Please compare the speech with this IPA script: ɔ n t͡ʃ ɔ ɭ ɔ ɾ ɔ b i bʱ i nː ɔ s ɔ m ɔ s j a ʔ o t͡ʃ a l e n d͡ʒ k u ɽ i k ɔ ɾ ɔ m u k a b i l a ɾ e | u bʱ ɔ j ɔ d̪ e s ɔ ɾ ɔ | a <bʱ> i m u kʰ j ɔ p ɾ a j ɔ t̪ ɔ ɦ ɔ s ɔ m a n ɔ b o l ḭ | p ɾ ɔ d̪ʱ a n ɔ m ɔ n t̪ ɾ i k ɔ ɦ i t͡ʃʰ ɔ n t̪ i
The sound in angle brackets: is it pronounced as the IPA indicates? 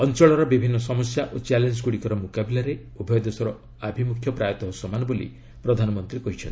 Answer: yes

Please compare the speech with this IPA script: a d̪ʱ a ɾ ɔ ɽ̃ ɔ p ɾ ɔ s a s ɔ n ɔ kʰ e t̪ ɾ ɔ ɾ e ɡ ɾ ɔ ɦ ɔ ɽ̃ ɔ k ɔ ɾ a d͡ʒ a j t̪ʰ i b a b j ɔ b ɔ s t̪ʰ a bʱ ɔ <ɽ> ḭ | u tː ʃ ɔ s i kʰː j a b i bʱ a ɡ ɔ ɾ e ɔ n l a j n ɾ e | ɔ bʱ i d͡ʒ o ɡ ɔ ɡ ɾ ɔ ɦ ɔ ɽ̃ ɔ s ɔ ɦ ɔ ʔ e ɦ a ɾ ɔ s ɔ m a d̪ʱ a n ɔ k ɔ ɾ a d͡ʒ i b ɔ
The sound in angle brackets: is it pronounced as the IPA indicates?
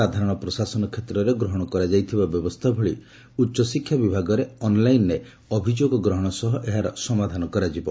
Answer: no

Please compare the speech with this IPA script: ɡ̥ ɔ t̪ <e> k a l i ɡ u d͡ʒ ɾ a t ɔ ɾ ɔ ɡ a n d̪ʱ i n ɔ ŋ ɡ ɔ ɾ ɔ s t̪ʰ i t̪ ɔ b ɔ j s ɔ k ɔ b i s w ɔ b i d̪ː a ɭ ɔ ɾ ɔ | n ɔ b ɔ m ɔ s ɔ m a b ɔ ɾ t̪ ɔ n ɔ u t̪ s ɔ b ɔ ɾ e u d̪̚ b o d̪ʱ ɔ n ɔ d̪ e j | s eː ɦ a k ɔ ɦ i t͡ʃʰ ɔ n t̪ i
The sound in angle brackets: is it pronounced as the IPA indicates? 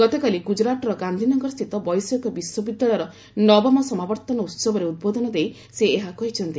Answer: yes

